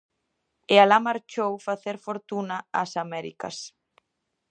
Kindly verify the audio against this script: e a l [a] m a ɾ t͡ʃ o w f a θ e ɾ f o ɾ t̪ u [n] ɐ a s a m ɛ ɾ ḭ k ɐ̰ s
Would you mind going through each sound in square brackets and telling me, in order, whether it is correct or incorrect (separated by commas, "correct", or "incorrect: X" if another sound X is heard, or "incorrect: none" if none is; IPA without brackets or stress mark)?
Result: correct, correct